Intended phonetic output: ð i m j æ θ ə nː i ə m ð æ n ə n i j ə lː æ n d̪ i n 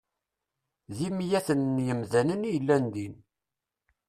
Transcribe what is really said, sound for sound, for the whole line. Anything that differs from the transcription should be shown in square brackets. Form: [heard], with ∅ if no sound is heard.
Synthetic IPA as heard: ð i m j æ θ ə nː [j] ə m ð æ n ə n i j ə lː æ n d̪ i n